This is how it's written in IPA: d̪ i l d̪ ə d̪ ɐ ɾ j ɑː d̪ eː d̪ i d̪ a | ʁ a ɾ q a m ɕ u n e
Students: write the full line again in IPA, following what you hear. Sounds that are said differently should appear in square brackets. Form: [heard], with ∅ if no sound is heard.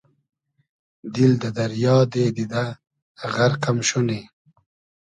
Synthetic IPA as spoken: d̪ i l d̪ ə d̪ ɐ ɾ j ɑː d̪ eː d̪ i d̪ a | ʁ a ɾ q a m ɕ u n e